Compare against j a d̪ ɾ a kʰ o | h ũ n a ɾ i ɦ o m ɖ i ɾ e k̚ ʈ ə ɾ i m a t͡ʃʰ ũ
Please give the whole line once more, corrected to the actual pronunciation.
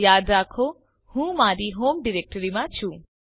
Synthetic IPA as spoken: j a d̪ ɾ a kʰ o | h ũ m a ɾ i ɦ o m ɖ i ɾ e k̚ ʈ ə ɾ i m a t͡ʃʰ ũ